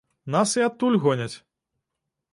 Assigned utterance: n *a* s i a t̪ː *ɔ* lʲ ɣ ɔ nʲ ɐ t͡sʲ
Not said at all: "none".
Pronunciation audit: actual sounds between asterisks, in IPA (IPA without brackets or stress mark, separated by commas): a, u